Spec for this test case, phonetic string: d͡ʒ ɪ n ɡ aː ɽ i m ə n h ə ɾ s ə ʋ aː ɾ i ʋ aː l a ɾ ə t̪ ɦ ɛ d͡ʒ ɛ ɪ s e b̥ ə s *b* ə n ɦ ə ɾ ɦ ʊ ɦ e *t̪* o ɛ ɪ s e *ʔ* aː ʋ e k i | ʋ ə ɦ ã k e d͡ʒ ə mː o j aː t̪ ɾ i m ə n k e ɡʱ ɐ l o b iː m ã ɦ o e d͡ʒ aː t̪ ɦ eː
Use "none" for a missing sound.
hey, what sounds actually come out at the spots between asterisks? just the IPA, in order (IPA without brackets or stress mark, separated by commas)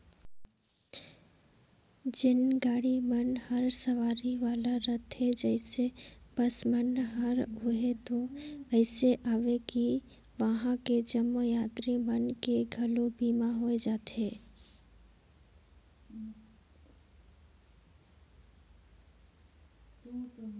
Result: m, t̪, ʔ